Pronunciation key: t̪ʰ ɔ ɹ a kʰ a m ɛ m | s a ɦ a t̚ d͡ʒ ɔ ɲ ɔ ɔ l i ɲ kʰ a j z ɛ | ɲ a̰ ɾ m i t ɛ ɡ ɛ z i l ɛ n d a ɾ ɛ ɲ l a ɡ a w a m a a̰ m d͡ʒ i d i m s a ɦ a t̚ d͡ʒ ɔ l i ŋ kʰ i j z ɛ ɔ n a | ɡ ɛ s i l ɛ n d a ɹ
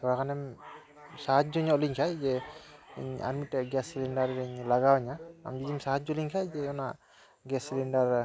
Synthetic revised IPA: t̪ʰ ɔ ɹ a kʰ a n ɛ m | s a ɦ a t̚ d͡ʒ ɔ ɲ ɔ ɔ l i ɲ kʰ a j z ɛ | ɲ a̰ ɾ m i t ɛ ɡ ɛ s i l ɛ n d a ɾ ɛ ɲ l a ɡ a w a ɲ a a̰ m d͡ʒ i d i m s a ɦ a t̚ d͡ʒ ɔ l i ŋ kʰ a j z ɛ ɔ n a | ɡ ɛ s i l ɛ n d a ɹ